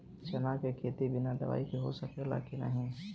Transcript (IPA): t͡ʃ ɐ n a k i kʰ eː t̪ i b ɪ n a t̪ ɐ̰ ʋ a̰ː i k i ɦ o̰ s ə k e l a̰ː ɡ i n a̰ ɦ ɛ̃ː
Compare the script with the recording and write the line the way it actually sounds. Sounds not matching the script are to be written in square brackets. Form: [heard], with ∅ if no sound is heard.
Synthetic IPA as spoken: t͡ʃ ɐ n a k [e] kʰ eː t̪ i b ɪ n a [d̪] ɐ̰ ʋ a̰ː i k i ɦ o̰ s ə k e l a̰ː [k] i n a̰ ɦ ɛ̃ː

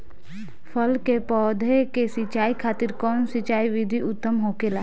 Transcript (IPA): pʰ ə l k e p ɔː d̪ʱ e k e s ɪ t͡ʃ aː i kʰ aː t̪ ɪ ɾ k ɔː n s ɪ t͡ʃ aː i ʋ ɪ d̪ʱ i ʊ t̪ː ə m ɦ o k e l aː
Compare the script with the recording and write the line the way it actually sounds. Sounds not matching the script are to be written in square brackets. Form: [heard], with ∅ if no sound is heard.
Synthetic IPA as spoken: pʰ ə l k e p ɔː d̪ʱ e k e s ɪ t͡ʃ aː i kʰ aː t̪ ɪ ɾ k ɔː n s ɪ t͡ʃ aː i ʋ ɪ d̪ʱ i ʊ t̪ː ə m ɦ o k e l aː

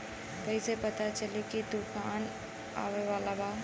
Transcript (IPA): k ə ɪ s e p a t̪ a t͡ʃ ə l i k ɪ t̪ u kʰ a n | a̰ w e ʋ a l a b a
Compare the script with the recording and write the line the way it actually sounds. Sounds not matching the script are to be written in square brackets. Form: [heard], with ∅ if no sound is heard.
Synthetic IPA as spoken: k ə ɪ s e p [ə] t̪ a t͡ʃ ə l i k [i] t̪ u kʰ a n | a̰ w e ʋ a l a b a

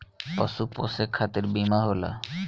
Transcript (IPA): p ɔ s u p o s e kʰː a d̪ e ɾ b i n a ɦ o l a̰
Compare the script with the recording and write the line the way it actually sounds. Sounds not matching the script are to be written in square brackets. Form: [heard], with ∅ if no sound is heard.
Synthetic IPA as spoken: p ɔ s u p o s e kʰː a [t̪] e ɾ b i [m] a ɦ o l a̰

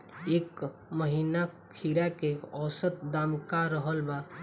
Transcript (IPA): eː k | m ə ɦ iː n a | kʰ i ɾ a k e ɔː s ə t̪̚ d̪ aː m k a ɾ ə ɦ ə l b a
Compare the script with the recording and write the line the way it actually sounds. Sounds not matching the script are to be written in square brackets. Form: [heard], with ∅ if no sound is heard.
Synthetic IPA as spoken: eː k | m ə ɦ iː n a | kʰ i ɾ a k e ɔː s ə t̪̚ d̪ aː m k a ɾ ə ɦ ə l b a

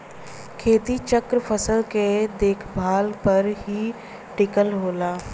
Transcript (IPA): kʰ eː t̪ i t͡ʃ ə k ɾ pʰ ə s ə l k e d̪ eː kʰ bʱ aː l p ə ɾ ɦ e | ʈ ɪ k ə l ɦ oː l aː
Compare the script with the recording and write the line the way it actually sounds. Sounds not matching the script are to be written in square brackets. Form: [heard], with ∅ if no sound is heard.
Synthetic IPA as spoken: kʰ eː t̪ i t͡ʃ ə k ɾ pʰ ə s ə l k e d̪ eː kʰ bʱ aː l p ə ɾ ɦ [i] | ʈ ɪ k ə l ɦ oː l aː

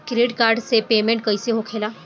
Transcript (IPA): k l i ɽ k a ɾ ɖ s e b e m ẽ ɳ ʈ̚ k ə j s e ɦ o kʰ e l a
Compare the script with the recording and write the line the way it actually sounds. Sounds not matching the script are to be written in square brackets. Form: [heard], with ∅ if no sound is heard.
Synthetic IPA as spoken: k [ɾ] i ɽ k a ɾ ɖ s e [p] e m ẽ ɳ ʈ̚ k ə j s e ɦ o kʰ e l a

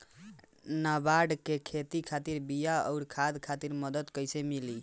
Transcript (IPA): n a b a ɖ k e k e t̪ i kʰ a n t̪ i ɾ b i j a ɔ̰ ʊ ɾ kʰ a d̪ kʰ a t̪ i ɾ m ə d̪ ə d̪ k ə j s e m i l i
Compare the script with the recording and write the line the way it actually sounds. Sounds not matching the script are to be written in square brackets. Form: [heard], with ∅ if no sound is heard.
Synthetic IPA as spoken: n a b a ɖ k e [kʰ] e t̪ i kʰ a [∅] t̪ i ɾ b i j a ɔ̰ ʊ ɾ kʰ a d̪ kʰ a t̪ i ɾ m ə d̪ ə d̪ k ə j s e m i l i

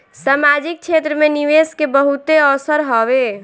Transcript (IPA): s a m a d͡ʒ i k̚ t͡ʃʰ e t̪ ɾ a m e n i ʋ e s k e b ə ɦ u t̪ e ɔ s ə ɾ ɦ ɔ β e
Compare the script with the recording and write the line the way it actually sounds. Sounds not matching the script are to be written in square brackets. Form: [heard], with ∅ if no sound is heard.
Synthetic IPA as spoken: s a m a d͡ʒ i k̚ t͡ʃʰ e t̪ ɾ [ə] m e n i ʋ e s k e b ə ɦ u t̪ e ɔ s ə ɾ ɦ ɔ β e

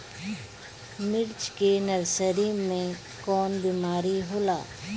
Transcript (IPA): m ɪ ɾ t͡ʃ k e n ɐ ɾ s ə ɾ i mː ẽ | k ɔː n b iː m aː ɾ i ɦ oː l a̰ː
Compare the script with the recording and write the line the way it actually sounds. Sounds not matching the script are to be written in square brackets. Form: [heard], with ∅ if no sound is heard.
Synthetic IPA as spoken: m ɪ ɾ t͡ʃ k e n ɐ ɾ s ə ɾ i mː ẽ | k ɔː n b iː m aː ɾ i ɦ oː l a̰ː

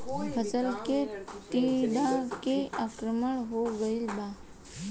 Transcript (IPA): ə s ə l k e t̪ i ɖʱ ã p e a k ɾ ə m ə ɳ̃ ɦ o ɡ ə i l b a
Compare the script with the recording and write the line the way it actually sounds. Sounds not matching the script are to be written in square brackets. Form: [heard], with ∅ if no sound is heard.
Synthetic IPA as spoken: ə s ə l k e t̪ i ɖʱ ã [k] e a k ɾ ə m ə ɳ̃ ɦ o ɡ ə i l b a

